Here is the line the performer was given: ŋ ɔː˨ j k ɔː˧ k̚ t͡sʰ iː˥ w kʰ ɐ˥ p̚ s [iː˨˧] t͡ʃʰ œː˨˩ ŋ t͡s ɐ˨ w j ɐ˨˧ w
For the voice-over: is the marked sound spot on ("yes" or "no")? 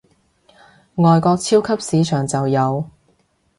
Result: yes